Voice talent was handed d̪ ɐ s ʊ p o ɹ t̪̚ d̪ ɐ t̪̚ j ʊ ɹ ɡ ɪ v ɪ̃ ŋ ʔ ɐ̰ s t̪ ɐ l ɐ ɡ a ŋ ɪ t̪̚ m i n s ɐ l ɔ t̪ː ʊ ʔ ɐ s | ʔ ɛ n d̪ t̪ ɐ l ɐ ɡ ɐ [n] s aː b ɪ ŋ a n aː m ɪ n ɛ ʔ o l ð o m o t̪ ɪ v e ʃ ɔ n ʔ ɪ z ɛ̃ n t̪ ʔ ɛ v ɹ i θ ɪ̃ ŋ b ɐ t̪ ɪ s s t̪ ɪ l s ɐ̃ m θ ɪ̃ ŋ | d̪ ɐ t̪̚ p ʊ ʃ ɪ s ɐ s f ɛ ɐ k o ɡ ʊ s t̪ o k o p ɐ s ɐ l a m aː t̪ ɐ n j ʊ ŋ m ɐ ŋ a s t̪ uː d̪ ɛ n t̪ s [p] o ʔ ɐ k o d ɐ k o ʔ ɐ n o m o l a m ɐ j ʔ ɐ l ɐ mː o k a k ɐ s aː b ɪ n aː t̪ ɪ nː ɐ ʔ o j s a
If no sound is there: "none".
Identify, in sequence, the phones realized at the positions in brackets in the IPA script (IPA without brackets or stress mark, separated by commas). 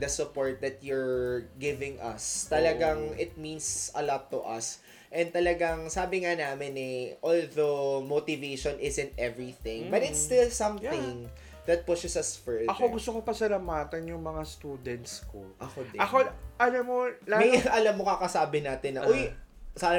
ŋ, k